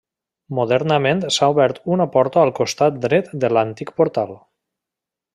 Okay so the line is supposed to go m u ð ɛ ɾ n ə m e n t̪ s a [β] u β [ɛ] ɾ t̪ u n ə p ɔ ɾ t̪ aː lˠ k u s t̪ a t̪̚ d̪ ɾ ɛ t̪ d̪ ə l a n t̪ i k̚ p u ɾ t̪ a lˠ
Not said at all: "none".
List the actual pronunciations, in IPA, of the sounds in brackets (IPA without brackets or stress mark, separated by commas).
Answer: none, ɛ